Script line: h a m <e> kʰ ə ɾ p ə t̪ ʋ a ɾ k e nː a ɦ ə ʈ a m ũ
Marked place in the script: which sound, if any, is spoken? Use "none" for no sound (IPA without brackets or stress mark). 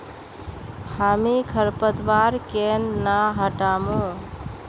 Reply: i